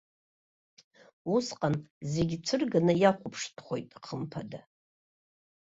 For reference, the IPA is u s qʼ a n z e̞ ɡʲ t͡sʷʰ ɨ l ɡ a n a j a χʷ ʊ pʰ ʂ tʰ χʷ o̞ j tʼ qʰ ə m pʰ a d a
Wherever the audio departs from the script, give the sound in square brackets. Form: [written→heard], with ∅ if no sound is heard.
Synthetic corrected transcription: u s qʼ a n z e̞ ɡʲ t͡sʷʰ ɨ [l→r] ɡ a n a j a χʷ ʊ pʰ ʂ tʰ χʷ o̞ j tʼ qʰ ə m pʰ a d a

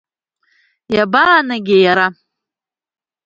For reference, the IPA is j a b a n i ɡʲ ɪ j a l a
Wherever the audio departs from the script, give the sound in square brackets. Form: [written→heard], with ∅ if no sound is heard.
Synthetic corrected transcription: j a b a n [i→a] ɡʲ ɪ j a [l→ɾ] a

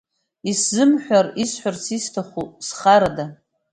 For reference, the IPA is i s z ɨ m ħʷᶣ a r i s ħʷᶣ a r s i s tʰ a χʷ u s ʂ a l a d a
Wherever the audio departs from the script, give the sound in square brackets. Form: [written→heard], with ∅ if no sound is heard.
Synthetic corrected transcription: i s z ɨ m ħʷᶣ a r i s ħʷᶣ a r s i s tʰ a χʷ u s [ʂ→χ] a [l→ɾ] a d a

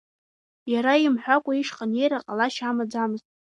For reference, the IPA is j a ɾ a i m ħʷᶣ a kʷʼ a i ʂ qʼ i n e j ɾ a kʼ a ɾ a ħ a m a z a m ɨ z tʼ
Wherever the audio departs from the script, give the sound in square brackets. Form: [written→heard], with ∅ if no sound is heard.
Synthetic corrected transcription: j a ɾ a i m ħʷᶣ a kʷʼ a i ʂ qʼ [i→a] n e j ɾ a [kʼ→qʼ] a [ɾ→l] a [ħ→ʃ] a m a [z→d͡z] a m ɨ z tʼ

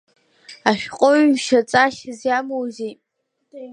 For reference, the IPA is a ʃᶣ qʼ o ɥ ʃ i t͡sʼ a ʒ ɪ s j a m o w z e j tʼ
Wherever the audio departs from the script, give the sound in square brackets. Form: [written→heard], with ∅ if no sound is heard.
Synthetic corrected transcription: a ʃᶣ qʼ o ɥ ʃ [i→a] t͡sʼ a [ʒ→ʃ] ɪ [s→z] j a m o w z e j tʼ

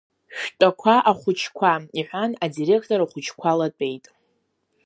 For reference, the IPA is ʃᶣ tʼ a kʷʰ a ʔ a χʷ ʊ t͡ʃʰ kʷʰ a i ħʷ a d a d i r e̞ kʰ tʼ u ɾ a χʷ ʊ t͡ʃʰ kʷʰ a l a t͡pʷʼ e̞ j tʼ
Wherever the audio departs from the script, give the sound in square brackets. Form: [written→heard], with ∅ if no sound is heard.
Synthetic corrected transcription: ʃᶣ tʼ a kʷʰ a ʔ a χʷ ʊ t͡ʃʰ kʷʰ a i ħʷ a [d→n] a d i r e̞ kʰ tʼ [u→o] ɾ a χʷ ʊ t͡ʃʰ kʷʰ a l a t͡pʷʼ e̞ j tʼ

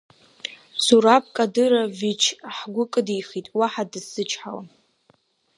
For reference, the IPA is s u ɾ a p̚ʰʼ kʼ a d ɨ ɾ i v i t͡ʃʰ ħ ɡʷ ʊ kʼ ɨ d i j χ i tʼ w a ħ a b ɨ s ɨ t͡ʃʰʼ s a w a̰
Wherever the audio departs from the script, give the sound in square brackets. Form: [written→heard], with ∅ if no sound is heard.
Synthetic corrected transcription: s u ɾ a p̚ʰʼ kʼ a d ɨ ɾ [i→a] v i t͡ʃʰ ħ ɡʷ ʊ kʼ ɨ d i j χ i tʼ w a ħ a [b→d] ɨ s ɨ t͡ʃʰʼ [s→ħ] a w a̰

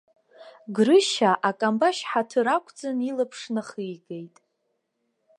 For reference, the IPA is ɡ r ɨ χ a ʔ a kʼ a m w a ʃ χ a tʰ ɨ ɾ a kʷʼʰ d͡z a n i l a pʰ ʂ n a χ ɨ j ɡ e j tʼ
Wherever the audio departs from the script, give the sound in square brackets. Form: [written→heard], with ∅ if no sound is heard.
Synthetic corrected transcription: ɡ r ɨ [χ→ʃ] a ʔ a kʼ a m [w→b] a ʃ [χ→ħ] a tʰ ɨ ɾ a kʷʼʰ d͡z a n i l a pʰ ʂ n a χ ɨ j ɡ e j tʼ

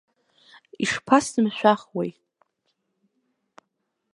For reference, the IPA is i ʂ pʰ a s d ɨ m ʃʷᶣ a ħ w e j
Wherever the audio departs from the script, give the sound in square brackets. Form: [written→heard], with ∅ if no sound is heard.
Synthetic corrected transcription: i ʂ pʰ a s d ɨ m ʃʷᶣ a [ħ→χ] w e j

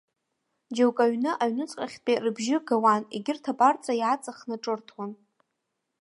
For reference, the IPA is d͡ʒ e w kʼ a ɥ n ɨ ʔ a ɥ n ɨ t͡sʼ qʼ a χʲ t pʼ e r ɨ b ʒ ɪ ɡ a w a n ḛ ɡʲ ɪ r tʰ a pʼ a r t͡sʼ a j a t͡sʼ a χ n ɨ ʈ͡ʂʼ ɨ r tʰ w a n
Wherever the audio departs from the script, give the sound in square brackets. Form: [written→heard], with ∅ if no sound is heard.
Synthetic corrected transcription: d͡ʒ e w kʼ a ɥ n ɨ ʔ a ɥ n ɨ t͡sʼ qʼ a χʲ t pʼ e r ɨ b ʒ ɪ ɡ a w a n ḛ ɡʲ ɪ r tʰ a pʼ a r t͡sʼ a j a t͡sʼ a χ n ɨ ʈ͡ʂʼ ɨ r tʰ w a n

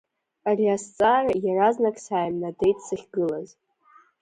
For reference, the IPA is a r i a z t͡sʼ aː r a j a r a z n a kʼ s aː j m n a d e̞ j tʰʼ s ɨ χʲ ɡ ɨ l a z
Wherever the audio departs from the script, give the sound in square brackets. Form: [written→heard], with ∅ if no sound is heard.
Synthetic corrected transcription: a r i a [z→s] t͡sʼ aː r a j a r a z n a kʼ s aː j m n a d e̞ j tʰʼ s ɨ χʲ ɡ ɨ l a z

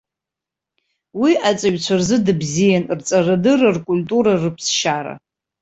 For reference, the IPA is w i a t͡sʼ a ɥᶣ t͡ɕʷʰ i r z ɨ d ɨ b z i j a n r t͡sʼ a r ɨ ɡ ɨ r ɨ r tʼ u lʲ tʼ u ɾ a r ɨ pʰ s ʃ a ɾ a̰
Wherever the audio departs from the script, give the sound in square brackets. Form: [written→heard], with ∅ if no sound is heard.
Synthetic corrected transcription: w i a t͡sʼ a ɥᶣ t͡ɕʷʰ [i→a] r z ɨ d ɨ b z i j a n r t͡sʼ a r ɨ [ɡ→d] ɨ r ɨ r [tʼ→kʼ] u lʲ tʼ u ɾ a r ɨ pʰ s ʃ a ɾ a̰

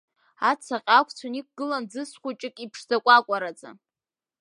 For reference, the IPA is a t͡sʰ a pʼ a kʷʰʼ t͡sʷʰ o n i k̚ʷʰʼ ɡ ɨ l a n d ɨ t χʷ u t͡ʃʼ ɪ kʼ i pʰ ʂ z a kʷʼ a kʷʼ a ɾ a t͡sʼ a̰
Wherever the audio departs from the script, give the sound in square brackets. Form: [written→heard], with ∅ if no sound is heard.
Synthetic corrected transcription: a t͡sʰ a [pʼ→qʼ] a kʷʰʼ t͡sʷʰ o n i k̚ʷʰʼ ɡ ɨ l a n [d→d͡z] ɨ [t→s] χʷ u t͡ʃʼ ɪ kʼ i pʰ ʂ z a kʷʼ a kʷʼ a ɾ a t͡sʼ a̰

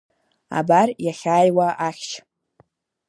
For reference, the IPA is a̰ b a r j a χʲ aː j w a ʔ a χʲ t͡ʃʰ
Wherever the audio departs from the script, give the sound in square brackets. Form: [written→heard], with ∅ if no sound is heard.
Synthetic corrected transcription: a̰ b a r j a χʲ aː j w a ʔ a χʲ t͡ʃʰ

